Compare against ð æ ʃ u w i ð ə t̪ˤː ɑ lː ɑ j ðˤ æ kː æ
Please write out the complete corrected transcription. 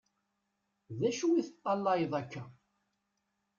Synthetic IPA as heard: ð æ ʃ u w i θ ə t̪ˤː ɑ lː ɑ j ðˤ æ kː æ